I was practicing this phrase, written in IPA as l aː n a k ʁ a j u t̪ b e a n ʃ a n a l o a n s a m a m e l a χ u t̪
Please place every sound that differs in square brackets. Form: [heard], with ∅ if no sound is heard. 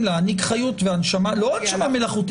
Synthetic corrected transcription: l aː n [i] k [χ] a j u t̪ [v] e a n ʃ a [m] a l o a n [ʃ] a m a m e l a χ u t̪